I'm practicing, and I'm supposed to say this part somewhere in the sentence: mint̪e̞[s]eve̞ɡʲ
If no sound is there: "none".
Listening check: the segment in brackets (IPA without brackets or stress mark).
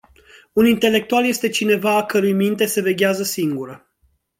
s